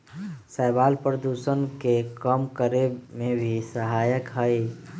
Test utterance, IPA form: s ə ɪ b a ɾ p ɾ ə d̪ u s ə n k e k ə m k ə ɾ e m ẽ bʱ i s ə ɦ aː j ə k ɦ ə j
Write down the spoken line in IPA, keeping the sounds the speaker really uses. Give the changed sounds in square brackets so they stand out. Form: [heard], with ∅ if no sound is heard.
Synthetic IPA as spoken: s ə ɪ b a [l] p ɾ ə d̪ u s ə n k e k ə m k ə ɾ e m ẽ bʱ i s ə ɦ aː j ə k ɦ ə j